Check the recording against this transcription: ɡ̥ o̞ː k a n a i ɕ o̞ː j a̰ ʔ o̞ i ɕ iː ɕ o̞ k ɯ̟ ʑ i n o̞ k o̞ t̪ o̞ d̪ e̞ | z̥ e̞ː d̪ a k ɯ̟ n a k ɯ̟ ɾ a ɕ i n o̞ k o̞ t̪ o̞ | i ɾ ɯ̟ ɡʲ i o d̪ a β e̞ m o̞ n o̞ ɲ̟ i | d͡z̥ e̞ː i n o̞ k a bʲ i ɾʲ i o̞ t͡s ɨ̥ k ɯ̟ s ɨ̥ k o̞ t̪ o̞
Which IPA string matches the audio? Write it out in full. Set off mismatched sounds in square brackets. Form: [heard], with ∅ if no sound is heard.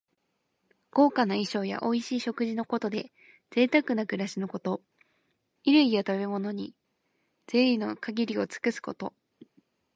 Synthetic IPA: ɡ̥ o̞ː k a n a i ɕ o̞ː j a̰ ʔ o̞ i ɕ iː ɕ o̞ k ɯ̟ ʑ i n o̞ k o̞ t̪ o̞ d̪ e̞ | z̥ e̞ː [t̪] a k ɯ̟ n a k ɯ̟ ɾ a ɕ i n o̞ k o̞ t̪ o̞ | i ɾ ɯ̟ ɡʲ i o [t̪] a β e̞ m o̞ n o̞ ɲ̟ i | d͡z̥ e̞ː i n o̞ k a [ɡʲ] i ɾʲ i o̞ t͡s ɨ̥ k ɯ̟ s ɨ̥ k o̞ t̪ o̞